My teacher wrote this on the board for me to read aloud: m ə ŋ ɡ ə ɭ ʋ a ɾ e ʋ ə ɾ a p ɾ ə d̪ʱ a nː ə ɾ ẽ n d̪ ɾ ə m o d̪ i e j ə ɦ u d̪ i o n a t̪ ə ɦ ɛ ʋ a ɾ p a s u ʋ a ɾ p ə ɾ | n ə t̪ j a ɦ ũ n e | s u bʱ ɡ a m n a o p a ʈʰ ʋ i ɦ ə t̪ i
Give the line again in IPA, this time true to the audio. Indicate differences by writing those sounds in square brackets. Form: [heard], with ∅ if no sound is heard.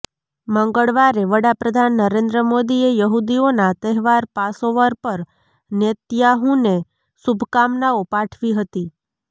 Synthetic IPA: m ə ŋ ɡ ə ɭ ʋ a ɾ e ʋ ə [ɽ] a p ɾ ə d̪ʱ a nː ə ɾ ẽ n d̪ ɾ ə m o d̪ i e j ə ɦ u d̪ i o n a t̪ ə ɦ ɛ ʋ a ɾ p a s [o] ʋ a ɾ p ə ɾ | n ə t̪ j a ɦ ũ n e | s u bʱ [k] a m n a o p a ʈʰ ʋ i ɦ ə t̪ i

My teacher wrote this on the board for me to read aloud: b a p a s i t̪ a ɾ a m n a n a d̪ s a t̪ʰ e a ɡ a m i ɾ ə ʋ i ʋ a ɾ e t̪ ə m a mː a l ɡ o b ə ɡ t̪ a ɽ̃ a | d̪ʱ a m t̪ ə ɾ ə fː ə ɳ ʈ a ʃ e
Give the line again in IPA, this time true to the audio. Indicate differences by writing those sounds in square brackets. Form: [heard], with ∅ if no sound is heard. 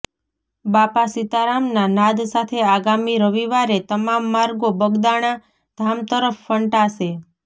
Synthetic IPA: b a p a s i t̪ a ɾ a m n a n a d̪ s a t̪ʰ e a ɡ a m i ɾ ə ʋ i ʋ a ɾ e t̪ ə m a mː a [ɾ] ɡ o b ə ɡ [d̪] a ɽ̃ a | d̪ʱ a m t̪ ə ɾ ə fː ə ɳ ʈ a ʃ e

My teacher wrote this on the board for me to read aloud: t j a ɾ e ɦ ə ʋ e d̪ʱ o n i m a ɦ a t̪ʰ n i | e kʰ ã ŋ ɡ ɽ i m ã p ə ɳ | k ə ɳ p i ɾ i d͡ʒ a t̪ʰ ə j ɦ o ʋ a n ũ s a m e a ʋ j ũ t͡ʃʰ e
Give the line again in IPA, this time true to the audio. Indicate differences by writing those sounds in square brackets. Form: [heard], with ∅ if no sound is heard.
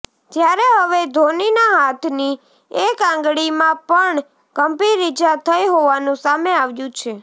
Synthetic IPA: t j a ɾ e ɦ ə ʋ e d̪ʱ o n i [n] a ɦ a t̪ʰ n i | e [k] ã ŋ ɡ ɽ i m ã p ə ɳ | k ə [m] p i ɾ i d͡ʒ a t̪ʰ ə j ɦ o ʋ a n ũ s a m e a ʋ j ũ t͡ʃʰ e

